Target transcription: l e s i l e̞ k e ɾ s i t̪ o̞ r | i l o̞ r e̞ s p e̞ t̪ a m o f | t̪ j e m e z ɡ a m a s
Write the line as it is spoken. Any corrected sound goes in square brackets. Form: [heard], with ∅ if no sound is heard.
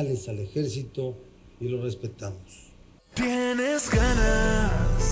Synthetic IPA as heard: l e s [a] l e̞ [x] e ɾ s i t̪ o̞ [∅] | i l o̞ r e̞ s p e̞ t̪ a m o [s] | t̪ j e [n] e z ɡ a [n] a s